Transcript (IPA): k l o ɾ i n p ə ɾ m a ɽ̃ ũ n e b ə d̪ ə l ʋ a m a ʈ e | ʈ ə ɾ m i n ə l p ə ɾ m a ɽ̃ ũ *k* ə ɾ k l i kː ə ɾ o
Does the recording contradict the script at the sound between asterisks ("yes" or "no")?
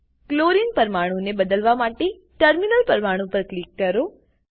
yes